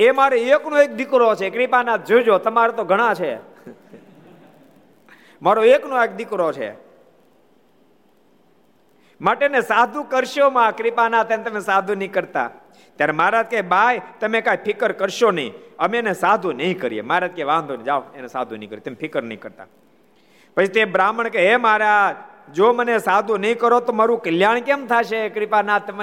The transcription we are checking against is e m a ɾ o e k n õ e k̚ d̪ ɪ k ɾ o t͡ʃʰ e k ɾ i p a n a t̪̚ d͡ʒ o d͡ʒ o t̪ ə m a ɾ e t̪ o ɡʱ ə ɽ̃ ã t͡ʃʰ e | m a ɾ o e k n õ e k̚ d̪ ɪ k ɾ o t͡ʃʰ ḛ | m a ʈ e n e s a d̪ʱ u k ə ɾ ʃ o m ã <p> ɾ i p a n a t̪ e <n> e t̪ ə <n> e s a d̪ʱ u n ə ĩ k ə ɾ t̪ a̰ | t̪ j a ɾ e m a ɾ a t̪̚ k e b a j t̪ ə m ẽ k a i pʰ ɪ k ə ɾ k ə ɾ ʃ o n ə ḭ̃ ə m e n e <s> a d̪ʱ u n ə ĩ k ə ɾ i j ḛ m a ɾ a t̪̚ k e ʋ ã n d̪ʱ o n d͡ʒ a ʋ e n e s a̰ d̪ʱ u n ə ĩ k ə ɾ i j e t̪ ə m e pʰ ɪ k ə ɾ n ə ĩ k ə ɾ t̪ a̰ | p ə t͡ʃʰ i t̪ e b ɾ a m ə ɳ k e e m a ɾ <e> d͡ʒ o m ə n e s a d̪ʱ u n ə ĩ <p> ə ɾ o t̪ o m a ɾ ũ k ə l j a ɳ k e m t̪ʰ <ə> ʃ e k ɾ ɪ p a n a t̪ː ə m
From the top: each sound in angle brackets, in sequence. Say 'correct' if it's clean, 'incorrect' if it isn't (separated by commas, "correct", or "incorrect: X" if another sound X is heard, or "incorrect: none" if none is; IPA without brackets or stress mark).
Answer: incorrect: k, correct, incorrect: m, correct, incorrect: a, incorrect: k, incorrect: a